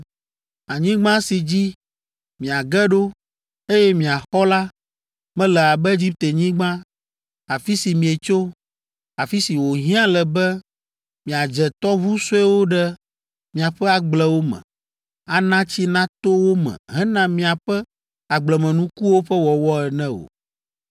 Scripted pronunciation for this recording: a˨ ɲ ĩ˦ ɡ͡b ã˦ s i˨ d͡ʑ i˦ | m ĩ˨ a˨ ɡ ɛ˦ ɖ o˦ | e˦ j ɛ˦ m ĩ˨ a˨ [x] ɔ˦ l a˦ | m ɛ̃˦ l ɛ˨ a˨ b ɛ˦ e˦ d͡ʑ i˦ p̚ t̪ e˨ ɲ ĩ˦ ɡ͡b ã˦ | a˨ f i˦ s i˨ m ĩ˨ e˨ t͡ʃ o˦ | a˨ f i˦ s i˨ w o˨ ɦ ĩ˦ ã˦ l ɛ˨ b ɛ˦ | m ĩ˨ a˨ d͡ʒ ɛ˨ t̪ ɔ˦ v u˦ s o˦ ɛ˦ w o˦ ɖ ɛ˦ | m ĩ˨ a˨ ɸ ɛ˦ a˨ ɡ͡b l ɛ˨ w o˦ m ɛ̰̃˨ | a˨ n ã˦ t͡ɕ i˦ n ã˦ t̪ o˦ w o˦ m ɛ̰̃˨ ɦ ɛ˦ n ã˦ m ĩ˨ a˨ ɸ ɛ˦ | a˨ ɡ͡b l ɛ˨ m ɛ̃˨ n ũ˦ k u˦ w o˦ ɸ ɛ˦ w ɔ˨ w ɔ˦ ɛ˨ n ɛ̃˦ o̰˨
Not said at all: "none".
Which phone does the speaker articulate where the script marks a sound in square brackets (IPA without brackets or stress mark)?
x